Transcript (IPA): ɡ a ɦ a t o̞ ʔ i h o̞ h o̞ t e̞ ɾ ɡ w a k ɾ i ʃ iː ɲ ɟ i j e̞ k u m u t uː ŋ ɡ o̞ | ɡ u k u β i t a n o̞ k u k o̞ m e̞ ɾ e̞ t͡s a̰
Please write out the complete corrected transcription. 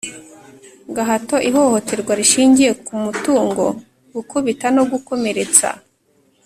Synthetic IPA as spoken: ɡ a ɦ a t o̞ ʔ i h o̞ h o̞ t e̞ ɾ ɡ w a ɾ i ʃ iː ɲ ɟ i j e̞ k u m u t uː ŋ ɡ o̞ | ɡ u k u β i t a n o̞ ɡ u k o̞ m e̞ ɾ e̞ t͡s a̰